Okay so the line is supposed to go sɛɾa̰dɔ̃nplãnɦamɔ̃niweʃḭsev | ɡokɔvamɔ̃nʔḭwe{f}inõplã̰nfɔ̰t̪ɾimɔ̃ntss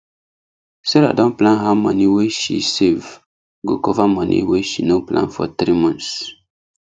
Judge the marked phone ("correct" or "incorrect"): incorrect